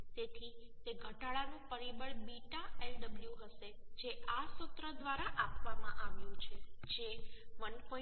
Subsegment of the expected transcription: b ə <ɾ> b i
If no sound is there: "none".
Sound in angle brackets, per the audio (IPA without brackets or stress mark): ɭ